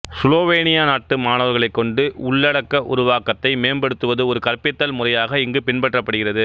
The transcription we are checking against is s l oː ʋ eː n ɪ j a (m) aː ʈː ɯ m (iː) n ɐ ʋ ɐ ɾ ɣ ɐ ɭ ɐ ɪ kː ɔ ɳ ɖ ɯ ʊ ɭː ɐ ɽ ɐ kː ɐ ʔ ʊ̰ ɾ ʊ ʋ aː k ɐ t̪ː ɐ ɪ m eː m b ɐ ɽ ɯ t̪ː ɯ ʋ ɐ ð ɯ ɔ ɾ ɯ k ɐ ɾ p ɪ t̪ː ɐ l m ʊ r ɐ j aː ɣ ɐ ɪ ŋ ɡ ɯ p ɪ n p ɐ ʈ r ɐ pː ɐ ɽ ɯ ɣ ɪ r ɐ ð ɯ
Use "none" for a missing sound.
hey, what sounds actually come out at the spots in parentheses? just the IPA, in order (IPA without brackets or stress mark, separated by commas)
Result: n, aː